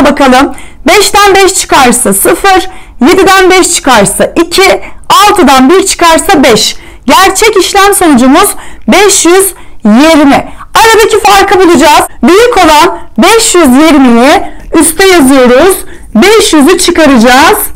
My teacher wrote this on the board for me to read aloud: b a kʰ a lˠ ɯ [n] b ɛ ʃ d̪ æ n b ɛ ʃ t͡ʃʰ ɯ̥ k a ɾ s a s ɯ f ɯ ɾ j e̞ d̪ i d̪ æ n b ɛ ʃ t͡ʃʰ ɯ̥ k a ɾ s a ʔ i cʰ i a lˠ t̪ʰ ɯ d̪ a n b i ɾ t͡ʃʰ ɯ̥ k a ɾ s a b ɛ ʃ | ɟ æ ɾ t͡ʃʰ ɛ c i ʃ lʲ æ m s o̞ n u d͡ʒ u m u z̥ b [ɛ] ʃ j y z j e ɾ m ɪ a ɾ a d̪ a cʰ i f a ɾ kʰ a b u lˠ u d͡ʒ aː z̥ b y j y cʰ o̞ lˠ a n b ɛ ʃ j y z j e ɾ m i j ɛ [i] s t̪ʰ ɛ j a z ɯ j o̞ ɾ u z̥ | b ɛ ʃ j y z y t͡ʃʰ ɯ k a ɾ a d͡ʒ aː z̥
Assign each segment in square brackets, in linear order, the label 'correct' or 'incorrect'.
incorrect: m, correct, incorrect: y

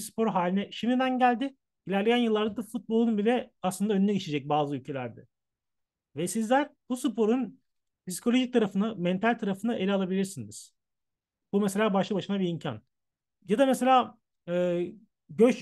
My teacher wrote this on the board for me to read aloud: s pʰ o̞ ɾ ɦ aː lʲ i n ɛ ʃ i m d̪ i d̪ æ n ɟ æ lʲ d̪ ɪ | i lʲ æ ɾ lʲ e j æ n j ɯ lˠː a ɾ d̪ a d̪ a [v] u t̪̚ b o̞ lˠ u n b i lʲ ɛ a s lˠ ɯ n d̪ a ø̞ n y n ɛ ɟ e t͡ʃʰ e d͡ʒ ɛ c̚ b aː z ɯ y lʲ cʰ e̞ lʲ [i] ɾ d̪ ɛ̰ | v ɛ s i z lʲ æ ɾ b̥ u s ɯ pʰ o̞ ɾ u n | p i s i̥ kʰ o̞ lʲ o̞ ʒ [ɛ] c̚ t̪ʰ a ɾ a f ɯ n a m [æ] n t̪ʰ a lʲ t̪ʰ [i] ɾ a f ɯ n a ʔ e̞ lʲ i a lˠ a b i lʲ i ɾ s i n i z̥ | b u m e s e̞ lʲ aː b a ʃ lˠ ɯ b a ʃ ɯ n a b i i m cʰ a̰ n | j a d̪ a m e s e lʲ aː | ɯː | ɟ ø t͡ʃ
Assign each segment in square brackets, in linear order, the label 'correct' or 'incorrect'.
incorrect: f, incorrect: æ, incorrect: i, incorrect: ɛ, incorrect: a

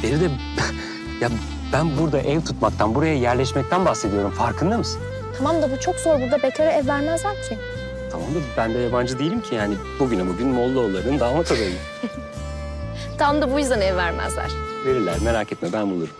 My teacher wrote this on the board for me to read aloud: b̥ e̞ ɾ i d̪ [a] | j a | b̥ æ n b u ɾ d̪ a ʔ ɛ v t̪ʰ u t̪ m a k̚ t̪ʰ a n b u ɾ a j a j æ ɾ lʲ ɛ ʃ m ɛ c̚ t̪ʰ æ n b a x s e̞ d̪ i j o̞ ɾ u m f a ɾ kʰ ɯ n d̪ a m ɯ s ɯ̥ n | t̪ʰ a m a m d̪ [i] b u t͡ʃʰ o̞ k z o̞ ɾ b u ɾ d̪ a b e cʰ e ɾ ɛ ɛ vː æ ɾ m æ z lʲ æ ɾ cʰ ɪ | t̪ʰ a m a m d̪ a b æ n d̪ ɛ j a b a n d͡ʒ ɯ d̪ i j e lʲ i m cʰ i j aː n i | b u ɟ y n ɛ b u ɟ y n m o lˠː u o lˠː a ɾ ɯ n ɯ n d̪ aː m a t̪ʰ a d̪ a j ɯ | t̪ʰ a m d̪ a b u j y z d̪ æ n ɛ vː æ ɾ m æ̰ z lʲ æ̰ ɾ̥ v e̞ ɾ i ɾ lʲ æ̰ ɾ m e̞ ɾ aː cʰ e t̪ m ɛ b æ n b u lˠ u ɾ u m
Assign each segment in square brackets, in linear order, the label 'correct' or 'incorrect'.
incorrect: ɛ, incorrect: a

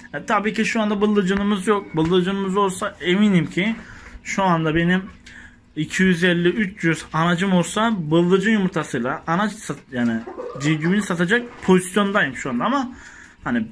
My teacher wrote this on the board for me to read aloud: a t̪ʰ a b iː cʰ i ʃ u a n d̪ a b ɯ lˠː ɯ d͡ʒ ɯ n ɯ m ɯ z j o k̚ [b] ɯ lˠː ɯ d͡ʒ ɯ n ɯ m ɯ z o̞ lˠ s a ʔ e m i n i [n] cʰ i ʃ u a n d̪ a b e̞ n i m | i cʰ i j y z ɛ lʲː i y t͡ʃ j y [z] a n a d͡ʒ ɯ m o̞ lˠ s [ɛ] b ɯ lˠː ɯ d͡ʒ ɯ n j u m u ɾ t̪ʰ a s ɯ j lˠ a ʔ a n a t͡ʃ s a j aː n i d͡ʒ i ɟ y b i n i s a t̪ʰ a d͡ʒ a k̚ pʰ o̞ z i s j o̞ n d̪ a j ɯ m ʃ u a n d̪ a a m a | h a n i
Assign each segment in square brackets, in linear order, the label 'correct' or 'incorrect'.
correct, incorrect: m, correct, incorrect: a

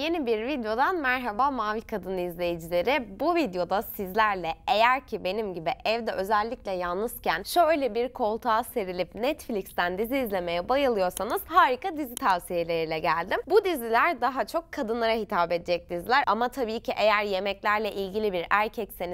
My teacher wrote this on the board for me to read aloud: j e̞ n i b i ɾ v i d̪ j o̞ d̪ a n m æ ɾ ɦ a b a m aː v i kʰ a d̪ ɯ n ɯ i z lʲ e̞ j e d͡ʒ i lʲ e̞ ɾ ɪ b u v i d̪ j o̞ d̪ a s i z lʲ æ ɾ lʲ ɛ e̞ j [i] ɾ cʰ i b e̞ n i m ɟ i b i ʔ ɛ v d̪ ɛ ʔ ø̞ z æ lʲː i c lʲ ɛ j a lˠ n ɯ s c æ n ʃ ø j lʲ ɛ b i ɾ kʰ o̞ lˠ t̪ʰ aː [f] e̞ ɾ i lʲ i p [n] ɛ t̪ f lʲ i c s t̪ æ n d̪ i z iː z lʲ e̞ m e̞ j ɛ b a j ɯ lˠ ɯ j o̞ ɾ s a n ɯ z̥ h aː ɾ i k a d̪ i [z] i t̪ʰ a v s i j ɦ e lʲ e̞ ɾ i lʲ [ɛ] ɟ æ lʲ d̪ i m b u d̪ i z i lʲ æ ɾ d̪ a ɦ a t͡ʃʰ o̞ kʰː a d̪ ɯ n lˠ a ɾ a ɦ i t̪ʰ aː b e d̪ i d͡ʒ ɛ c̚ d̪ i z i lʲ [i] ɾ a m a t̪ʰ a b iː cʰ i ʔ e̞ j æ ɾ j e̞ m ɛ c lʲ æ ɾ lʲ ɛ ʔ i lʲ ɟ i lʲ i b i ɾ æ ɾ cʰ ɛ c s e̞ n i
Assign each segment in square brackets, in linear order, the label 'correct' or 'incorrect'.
incorrect: æ, incorrect: s, correct, correct, correct, incorrect: æ

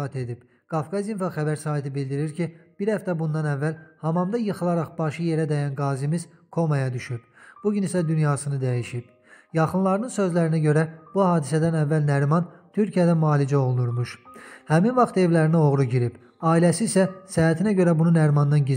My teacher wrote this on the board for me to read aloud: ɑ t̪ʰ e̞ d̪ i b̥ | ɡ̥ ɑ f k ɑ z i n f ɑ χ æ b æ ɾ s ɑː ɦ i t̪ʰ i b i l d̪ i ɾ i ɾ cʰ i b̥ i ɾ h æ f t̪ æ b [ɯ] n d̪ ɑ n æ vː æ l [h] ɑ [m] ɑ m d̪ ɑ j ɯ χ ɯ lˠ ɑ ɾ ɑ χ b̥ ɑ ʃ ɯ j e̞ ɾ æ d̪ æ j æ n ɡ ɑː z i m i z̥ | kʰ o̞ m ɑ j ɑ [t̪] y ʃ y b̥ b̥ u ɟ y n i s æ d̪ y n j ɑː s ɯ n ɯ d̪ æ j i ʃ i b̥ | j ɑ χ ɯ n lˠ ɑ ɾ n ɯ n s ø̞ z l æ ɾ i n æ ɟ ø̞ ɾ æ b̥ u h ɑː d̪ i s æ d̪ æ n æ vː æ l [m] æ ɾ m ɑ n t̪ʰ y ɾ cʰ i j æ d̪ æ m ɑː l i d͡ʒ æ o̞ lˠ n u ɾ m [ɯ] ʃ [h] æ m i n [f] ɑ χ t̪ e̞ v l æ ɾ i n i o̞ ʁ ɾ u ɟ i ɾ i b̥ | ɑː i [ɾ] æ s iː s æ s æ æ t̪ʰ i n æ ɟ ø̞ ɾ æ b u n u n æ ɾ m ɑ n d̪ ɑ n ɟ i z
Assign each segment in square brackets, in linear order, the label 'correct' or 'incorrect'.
incorrect: u, correct, correct, incorrect: d̪, incorrect: n, incorrect: u, correct, incorrect: v, incorrect: l

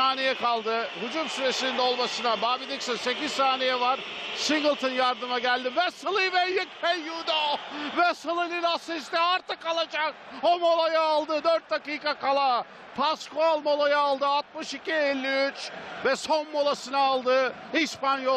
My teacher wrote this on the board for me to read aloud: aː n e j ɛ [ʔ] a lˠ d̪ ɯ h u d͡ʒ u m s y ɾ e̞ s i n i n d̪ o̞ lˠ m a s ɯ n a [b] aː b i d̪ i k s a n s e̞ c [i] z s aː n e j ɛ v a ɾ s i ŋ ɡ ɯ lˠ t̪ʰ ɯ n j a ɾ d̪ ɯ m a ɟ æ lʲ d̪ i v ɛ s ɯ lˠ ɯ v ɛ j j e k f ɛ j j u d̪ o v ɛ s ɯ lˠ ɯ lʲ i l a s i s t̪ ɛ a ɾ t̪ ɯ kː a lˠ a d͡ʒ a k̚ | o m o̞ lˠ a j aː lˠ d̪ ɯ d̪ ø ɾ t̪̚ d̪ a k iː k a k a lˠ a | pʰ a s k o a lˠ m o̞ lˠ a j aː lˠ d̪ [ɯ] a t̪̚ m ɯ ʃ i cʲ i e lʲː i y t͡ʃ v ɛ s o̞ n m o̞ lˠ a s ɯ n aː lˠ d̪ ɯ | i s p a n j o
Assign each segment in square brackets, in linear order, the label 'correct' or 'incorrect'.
incorrect: k, correct, correct, correct

